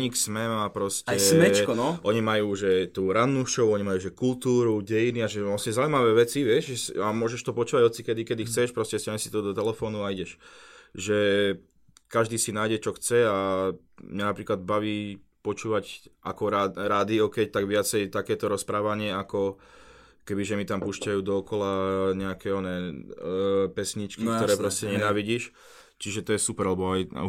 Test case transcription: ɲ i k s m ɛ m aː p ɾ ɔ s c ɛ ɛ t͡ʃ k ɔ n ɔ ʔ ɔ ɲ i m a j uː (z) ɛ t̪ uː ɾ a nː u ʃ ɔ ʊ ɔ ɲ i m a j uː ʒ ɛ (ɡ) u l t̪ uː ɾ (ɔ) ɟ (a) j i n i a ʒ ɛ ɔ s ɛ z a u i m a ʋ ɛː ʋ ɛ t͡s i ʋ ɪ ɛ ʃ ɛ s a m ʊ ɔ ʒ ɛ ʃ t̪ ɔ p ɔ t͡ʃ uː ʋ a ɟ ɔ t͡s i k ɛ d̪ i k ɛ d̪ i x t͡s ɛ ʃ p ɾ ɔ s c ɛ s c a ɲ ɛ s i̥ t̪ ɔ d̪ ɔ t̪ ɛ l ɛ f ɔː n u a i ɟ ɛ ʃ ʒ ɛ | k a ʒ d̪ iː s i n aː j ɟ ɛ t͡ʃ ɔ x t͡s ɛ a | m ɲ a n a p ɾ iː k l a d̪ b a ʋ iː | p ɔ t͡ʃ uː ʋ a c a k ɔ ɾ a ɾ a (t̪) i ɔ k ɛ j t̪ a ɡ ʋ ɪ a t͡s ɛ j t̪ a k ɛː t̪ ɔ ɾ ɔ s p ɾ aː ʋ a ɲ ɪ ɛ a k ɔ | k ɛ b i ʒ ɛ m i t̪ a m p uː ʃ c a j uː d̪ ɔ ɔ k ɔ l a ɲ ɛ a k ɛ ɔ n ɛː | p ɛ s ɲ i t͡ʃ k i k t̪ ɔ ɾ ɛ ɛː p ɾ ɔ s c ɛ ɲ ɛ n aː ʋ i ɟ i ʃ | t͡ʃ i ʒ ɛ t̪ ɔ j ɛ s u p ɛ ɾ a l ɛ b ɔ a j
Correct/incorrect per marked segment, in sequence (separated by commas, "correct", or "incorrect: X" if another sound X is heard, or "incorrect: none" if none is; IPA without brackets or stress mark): incorrect: ʒ, incorrect: k, incorrect: u, incorrect: ɛ, incorrect: d̪